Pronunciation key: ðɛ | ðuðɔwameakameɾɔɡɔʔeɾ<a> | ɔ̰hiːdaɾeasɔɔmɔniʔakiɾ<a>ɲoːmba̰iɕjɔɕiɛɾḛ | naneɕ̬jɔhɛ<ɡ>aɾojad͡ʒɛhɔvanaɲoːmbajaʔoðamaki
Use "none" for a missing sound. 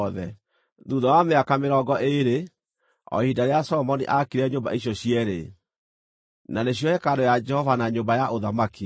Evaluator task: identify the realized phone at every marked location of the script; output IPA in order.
e, ɛ, k

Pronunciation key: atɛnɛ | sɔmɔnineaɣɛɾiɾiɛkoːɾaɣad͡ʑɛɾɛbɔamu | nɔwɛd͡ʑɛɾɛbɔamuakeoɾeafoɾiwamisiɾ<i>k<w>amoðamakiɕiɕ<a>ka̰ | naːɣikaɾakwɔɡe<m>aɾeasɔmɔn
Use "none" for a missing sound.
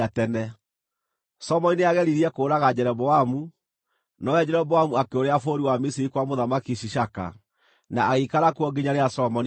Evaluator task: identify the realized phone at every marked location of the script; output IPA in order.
i, w, a, ɲ

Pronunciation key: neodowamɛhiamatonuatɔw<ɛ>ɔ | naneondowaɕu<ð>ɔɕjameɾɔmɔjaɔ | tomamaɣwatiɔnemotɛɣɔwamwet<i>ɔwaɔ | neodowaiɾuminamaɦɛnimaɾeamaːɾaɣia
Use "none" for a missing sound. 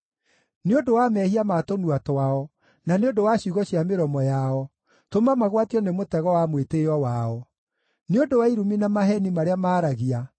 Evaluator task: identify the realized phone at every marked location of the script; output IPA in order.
a, ɣ, e

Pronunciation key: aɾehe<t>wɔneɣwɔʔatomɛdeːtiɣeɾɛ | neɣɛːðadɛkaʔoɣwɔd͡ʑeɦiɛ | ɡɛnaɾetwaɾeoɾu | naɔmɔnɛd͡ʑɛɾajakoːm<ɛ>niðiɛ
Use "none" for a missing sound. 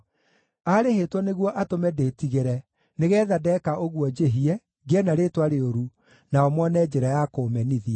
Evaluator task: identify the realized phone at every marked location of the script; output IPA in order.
t, ɛ

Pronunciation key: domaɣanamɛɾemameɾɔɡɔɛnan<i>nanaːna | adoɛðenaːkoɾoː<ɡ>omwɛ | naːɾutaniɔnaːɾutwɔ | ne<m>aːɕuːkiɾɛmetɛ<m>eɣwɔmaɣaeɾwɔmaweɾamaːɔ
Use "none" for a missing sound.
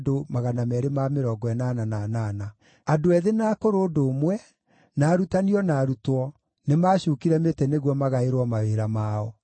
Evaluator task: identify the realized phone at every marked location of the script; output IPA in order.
a, d, m, n

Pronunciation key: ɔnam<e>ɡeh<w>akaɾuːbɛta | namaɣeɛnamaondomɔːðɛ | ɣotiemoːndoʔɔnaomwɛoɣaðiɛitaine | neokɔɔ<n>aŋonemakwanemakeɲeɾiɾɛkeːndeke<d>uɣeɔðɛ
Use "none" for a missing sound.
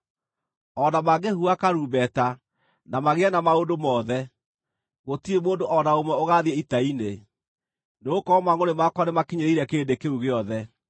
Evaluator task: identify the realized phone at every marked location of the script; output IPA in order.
a, u, m, none

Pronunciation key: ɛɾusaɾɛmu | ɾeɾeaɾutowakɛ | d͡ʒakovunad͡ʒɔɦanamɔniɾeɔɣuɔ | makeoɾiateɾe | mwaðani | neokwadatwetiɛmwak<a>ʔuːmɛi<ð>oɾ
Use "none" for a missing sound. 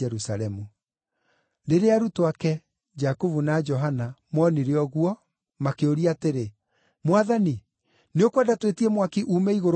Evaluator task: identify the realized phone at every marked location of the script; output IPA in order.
i, ɣ

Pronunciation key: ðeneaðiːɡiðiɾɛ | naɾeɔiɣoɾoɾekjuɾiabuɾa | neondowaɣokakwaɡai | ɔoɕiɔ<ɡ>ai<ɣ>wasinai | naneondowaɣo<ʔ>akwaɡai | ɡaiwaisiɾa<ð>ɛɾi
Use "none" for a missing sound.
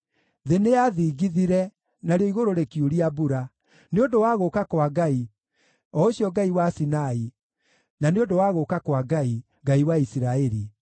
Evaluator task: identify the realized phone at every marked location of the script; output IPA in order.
ɡ, none, k, none

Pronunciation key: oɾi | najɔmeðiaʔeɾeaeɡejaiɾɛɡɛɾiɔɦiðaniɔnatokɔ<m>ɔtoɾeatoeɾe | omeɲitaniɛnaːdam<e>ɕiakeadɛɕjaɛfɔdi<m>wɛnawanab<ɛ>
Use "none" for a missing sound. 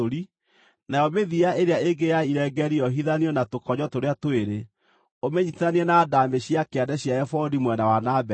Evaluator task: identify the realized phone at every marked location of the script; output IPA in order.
ɲ, e, m, ɛ

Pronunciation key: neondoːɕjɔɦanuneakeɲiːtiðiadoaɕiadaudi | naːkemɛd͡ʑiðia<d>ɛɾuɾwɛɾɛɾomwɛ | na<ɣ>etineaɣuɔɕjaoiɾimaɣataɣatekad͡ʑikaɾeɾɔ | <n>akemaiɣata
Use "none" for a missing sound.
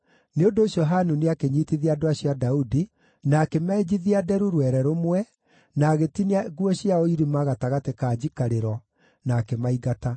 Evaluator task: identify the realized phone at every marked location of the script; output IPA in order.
d, ɣ, n

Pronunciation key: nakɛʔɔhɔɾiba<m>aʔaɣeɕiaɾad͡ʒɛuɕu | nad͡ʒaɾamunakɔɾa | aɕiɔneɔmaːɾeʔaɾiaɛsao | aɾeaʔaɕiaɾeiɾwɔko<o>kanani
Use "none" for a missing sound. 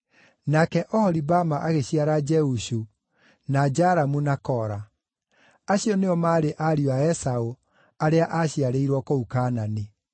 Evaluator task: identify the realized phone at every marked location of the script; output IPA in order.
m, u

